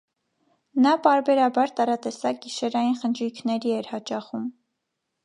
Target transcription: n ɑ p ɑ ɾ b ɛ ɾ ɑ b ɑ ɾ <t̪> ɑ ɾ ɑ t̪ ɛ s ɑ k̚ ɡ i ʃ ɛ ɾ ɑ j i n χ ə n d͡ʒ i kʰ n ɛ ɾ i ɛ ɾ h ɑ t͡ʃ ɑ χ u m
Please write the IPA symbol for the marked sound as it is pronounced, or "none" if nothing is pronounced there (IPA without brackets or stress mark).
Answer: t̪